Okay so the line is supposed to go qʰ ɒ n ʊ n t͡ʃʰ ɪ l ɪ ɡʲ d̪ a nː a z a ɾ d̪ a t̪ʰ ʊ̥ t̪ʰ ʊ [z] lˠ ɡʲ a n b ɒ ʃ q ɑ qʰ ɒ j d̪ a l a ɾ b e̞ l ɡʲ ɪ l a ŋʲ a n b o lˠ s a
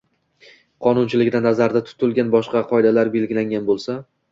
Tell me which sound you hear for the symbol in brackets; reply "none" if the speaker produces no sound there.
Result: none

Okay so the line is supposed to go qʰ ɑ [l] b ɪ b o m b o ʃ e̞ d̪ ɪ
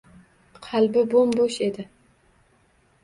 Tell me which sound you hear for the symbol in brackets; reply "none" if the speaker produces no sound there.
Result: l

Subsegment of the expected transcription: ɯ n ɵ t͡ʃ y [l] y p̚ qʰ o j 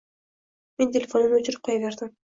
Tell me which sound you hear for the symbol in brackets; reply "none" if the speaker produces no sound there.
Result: ɾ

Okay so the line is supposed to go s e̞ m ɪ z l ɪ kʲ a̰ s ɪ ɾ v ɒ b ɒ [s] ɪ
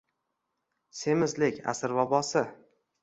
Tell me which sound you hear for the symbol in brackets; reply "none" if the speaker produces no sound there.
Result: s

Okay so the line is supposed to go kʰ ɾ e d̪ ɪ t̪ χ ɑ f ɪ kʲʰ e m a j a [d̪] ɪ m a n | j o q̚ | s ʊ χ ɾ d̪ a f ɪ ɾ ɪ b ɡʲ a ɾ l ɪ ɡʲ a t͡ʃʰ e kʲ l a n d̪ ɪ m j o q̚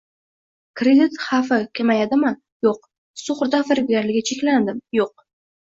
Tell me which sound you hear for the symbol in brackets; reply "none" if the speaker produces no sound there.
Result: d̪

